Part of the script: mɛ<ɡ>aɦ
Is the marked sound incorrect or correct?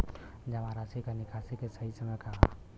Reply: incorrect